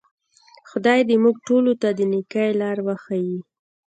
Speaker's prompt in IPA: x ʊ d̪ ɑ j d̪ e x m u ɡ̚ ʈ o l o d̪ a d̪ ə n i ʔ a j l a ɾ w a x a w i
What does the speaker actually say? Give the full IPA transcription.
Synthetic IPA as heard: x ʊ d̪ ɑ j d̪ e m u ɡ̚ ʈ o l o t̪ a d̪ ə n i k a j l ɑ ɾ w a x a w i